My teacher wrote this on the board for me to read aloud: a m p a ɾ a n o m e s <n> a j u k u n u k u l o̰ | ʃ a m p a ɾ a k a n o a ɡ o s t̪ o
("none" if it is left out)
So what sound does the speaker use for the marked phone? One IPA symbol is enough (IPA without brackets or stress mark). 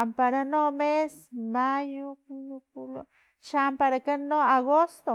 m